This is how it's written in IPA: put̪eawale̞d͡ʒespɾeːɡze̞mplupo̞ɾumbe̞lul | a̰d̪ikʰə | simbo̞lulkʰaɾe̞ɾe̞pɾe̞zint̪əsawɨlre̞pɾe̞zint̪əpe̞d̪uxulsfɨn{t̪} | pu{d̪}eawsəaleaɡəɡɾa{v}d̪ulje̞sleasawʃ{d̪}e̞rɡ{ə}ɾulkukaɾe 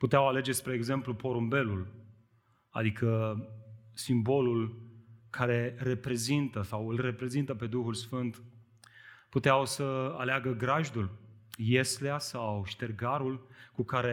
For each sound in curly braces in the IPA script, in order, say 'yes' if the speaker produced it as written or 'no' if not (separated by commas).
yes, no, no, no, no